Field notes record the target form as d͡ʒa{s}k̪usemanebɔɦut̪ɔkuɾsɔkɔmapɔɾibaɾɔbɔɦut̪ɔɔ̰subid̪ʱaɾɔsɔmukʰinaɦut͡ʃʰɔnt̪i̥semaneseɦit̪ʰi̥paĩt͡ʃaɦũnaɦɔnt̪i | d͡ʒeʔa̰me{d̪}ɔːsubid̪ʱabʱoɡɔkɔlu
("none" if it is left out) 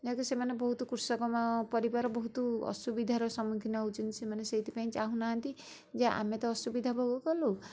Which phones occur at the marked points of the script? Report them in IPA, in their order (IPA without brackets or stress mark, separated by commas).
none, t̪